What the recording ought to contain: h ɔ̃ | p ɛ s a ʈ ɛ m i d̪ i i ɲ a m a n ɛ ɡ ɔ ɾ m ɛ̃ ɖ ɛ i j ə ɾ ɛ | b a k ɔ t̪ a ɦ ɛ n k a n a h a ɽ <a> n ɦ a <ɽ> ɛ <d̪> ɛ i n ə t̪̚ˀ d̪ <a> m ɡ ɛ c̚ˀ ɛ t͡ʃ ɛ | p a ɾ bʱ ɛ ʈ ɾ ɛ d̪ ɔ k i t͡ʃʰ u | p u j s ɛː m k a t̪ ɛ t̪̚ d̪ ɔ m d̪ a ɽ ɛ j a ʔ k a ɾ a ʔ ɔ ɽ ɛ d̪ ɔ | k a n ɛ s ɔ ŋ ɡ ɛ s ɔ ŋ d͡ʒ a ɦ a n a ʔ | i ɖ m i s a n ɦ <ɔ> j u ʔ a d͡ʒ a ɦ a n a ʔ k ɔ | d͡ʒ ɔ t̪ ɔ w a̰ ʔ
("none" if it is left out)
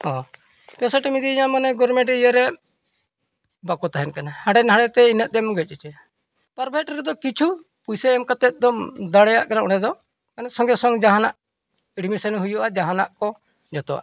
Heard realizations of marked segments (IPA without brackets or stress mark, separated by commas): ɛ, ɽ, t̪, ɛ, u